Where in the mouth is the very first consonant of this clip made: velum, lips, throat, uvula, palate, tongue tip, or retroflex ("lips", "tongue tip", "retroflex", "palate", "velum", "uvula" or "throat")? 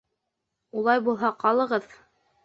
tongue tip